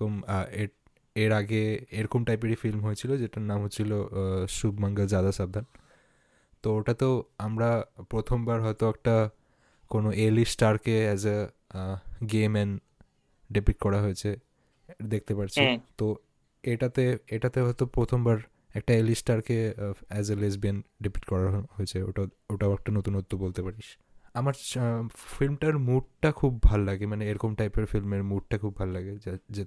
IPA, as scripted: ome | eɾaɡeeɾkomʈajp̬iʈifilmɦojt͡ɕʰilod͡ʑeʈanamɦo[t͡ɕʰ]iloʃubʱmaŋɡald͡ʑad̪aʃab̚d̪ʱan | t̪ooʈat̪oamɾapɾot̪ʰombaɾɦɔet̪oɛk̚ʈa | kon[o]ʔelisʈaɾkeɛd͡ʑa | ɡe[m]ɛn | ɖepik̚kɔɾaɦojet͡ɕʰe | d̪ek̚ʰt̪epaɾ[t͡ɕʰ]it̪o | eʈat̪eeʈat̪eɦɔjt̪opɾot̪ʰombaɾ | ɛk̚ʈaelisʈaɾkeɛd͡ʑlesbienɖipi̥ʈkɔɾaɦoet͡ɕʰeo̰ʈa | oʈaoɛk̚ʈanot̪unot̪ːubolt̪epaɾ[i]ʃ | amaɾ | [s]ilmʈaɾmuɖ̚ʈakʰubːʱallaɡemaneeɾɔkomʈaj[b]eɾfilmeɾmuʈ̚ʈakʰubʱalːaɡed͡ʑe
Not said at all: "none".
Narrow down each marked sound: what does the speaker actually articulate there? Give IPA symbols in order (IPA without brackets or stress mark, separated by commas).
t͡ɕʰ, o, m, t͡ɕʰ, i, f, p